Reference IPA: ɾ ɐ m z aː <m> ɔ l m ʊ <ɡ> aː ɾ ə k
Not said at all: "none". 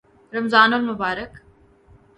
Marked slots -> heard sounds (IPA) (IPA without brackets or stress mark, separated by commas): n, b